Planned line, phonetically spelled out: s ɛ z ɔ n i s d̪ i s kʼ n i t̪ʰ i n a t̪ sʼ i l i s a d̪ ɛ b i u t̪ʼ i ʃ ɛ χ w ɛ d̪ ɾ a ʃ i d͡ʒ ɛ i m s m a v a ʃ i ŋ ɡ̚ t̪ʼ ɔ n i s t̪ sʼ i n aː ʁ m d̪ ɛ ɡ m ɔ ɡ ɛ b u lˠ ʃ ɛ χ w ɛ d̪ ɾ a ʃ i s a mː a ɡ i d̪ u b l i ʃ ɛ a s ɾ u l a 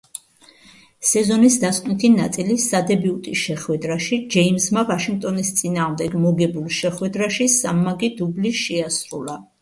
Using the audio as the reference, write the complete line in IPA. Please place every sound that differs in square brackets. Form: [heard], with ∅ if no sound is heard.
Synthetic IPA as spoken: s ɛ z ɔ n i s d̪ [a] s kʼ n i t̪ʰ i n a t̪ sʼ i l i s a d̪ ɛ b i u t̪ʼ i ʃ ɛ χ w ɛ d̪ ɾ a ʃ i d͡ʒ ɛ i m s m a v a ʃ i ŋ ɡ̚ t̪ʼ ɔ n i s t̪ sʼ i n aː ʁ m d̪ ɛ ɡ m ɔ ɡ ɛ b u lˠ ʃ ɛ χ w ɛ d̪ ɾ a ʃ i s a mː a ɡ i d̪ u b l i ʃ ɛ a s ɾ u l a